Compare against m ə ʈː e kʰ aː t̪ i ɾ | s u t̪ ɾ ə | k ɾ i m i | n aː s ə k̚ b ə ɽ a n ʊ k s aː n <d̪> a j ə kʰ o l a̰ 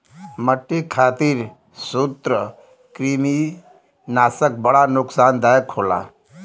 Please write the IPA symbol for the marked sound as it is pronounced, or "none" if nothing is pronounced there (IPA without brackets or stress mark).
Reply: d̪